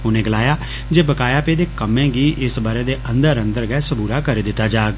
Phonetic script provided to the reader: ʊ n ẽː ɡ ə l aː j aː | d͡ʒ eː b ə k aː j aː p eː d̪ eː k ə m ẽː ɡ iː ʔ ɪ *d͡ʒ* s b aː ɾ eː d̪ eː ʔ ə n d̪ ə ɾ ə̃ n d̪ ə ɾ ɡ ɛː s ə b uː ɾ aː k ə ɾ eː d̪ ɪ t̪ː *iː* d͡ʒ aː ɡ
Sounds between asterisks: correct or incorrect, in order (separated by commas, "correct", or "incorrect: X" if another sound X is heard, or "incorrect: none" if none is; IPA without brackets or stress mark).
incorrect: none, incorrect: aː